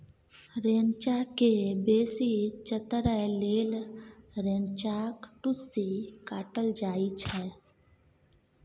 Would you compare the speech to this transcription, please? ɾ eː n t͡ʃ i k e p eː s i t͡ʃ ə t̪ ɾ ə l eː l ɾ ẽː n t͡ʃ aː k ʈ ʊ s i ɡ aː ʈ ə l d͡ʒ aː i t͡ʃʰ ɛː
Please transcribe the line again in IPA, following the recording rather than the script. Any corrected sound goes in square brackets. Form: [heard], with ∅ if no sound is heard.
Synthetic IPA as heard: ɾ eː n t͡ʃ [a] k e [b] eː s i t͡ʃ ə t̪ ɾ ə l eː l ɾ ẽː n t͡ʃ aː k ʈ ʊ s i [k] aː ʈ ə l d͡ʒ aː i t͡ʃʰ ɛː